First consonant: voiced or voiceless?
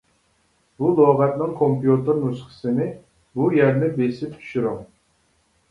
voiced